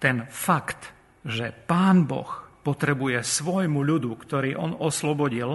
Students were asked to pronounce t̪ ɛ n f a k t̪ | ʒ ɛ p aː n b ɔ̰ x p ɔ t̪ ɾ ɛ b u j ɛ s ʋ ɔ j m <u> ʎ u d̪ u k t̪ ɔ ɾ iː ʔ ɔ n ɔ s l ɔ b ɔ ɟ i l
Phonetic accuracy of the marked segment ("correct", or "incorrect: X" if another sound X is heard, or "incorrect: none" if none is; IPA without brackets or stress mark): correct